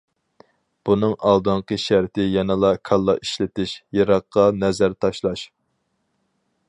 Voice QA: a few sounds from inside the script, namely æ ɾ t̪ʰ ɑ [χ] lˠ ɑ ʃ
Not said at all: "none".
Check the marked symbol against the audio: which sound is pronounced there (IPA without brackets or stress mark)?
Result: ʃ